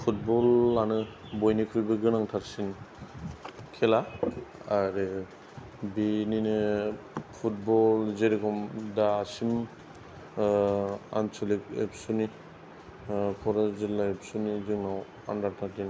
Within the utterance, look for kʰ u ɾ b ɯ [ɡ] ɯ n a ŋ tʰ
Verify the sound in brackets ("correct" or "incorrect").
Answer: correct